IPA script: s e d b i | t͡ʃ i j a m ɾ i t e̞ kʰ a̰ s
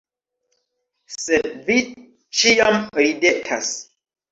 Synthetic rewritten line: s e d v i | t͡ʃ i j a m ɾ i d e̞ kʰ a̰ s